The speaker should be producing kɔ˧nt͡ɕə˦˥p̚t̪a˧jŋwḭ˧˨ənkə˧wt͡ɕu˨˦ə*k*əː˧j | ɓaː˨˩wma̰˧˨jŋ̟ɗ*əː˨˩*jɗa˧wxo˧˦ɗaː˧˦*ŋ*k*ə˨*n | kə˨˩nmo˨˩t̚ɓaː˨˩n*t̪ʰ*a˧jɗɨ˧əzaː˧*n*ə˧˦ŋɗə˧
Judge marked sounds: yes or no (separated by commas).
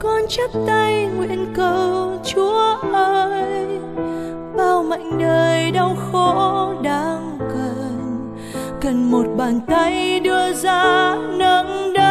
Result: no, yes, yes, yes, no, yes